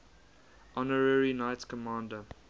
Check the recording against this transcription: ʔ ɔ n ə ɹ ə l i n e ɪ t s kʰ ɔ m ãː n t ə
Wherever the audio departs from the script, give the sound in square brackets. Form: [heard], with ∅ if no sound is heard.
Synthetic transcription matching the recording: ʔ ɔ n ə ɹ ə [ɹ] i n [a] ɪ t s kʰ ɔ m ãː n [d] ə